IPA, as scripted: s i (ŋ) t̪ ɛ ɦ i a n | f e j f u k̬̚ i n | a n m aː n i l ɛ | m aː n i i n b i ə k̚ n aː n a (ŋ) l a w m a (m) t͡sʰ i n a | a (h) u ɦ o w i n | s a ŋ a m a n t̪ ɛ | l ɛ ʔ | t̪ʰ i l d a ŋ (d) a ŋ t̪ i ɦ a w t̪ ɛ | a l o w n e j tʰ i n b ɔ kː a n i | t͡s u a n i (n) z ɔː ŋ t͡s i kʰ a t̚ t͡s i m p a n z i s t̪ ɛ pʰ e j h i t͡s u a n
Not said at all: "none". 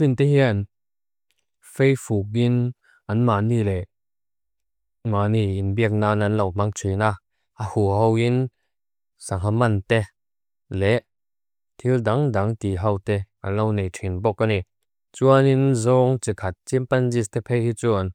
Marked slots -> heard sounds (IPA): n, n, ŋ, h, d, n

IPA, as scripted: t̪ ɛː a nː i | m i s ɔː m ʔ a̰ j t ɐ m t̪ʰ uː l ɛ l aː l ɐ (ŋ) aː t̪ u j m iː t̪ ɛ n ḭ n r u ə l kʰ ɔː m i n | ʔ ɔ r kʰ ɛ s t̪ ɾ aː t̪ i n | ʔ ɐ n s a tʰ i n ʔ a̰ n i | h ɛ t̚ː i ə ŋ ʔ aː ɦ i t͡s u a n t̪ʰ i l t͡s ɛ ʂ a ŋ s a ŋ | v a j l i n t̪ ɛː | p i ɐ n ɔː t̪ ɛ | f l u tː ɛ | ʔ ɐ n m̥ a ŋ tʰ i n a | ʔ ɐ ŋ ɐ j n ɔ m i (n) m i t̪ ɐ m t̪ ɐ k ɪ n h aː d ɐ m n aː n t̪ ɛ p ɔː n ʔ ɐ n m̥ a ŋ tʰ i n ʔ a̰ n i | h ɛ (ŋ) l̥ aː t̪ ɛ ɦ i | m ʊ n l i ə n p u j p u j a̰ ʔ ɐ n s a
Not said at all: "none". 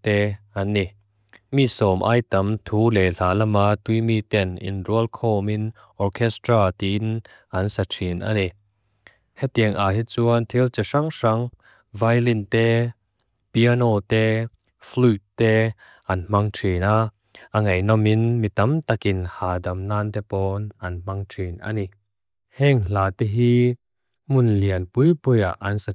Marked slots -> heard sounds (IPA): m, n, ŋ

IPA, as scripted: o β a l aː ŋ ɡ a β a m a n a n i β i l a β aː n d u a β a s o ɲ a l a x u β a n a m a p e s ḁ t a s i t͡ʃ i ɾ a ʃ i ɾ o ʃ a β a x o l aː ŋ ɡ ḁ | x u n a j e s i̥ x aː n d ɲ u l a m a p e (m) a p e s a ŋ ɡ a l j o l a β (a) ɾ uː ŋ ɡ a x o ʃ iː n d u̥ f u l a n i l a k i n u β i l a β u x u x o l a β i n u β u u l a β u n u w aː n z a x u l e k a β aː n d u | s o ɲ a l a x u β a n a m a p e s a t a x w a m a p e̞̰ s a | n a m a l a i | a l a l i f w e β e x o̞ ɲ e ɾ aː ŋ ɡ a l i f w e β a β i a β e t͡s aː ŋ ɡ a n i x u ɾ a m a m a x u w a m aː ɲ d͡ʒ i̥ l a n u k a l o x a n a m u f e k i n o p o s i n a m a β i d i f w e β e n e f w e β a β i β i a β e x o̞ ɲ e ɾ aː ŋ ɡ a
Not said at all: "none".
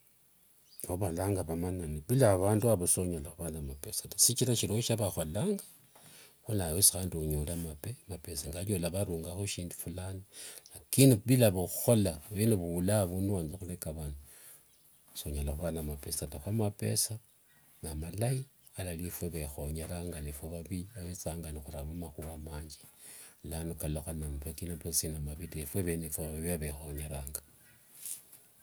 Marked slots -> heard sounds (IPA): m, a

